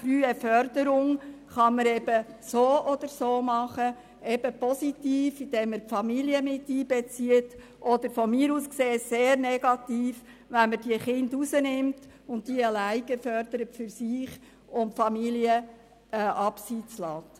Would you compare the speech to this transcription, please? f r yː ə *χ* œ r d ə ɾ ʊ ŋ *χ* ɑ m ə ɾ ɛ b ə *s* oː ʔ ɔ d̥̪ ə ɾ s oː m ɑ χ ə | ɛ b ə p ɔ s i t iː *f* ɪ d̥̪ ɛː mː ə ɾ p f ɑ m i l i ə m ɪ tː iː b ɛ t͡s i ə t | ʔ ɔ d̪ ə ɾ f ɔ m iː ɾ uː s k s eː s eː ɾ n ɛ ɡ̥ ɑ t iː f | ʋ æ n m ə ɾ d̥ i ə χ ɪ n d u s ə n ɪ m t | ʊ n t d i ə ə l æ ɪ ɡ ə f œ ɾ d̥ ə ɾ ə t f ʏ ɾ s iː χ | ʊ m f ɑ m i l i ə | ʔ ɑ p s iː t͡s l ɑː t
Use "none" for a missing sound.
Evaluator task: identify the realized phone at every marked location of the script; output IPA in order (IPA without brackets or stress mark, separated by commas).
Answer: f, χ, s, f